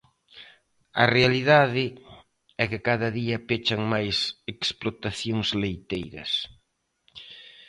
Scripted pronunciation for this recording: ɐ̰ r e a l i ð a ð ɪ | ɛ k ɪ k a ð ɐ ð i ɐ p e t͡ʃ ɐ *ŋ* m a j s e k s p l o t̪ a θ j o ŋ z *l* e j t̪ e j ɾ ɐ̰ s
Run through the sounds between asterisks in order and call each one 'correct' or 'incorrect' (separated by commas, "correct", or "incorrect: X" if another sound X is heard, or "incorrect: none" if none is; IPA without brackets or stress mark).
correct, correct